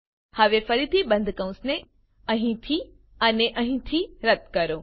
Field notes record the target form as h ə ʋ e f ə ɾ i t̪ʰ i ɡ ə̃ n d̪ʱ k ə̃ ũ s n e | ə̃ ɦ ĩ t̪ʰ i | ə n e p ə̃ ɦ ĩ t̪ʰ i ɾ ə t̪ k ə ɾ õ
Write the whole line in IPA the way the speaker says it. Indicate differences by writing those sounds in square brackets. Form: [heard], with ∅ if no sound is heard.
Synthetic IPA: h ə ʋ e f ə ɾ i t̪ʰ i [b] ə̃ n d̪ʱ k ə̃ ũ s n e | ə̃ ɦ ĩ t̪ʰ i | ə n e [ʔ] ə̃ ɦ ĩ t̪ʰ i ɾ ə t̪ k ə ɾ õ

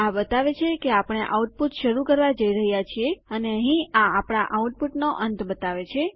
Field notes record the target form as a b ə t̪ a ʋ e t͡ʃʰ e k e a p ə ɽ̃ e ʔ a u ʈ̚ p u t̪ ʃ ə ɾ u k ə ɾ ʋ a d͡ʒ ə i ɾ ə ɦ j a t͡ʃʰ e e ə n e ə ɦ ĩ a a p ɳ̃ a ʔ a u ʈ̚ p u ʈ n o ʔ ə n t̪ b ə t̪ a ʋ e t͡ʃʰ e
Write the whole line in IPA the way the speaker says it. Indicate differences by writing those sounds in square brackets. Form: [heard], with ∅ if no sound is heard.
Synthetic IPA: a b ə t̪ a ʋ e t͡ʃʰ e k e a p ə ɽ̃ e ʔ a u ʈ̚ p u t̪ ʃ ə ɾ u k ə ɾ ʋ a d͡ʒ ə i ɾ ə ɦ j a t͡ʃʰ [i] e ə n e ə ɦ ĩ a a p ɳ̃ a ʔ a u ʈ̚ p u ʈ n o ʔ ə n t̪ b ə t̪ a ʋ e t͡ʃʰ e

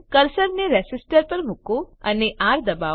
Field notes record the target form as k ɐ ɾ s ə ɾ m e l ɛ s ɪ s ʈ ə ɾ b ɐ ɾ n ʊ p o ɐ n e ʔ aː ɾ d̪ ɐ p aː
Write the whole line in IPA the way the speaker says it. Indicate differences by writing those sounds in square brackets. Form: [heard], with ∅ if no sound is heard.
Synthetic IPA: k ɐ ɾ s ə ɾ [n] e [ɾ] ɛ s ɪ s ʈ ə ɾ [p] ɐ ɾ [m] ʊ [k] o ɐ n e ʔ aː ɾ d̪ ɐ [b] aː

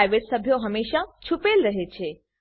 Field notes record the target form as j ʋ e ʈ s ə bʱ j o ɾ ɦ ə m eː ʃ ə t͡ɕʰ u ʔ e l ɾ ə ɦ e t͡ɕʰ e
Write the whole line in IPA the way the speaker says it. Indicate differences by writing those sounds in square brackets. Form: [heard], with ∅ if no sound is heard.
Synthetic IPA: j ʋ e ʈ s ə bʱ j o [∅] ɦ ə m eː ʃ [a] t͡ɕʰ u [p] e l ɾ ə ɦ e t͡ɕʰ e

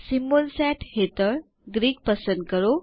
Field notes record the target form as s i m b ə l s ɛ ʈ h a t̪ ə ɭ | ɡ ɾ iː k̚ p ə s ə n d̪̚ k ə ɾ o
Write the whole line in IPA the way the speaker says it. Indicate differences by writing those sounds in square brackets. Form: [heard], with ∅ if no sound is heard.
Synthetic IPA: s i m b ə l s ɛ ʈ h [e] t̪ ə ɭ | ɡ ɾ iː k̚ p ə s ə n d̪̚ k ə ɾ o

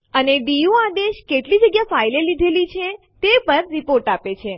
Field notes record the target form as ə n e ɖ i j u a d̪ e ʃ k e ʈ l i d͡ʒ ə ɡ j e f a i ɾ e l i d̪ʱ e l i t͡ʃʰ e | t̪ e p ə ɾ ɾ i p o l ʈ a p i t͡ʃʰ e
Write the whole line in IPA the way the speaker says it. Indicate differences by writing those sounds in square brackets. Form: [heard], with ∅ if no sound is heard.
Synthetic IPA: ə n e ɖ i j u a d̪ e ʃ k e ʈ l i d͡ʒ ə ɡ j [a] f a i [l] e l i d̪ʱ e l i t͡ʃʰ e | t̪ e p ə ɾ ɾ i p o [ɾ] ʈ a p [e] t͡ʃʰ e

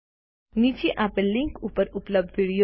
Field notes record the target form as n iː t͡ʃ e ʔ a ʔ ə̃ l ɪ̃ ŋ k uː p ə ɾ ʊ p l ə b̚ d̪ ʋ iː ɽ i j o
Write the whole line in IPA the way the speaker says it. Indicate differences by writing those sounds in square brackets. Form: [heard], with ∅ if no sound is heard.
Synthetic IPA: n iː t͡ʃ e ʔ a [p] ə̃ l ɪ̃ ŋ k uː p ə ɾ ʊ p l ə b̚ d̪ ʋ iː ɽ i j o

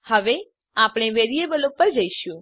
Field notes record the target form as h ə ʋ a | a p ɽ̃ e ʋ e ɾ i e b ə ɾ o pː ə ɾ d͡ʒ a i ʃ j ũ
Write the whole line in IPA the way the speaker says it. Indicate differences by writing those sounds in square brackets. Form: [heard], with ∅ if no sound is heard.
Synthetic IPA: h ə ʋ [e] | a p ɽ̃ e ʋ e ɾ i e b ə [l] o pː ə ɾ d͡ʒ [ə] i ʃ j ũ

